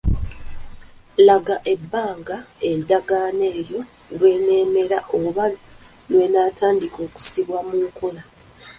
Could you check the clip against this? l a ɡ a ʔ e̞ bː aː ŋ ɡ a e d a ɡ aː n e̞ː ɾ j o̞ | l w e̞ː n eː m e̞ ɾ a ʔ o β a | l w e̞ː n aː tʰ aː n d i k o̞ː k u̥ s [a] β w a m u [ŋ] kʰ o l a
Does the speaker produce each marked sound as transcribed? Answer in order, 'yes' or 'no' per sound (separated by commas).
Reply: no, yes